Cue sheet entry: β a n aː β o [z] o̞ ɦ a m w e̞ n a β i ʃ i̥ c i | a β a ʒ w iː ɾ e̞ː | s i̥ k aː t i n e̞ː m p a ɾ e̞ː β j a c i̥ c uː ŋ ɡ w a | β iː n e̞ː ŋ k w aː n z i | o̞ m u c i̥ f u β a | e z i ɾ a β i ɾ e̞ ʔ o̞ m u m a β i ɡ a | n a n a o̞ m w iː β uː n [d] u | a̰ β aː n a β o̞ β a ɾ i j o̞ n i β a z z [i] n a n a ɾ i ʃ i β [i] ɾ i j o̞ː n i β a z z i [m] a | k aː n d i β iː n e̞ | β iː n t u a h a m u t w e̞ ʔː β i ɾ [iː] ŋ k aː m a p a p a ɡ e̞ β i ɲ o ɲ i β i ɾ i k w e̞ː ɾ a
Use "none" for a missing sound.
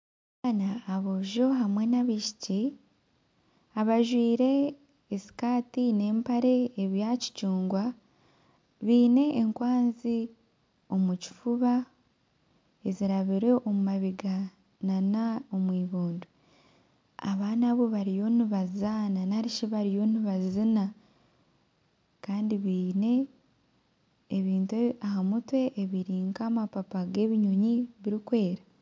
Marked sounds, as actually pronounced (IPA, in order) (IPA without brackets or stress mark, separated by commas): ʒ, d, a, a, n, iː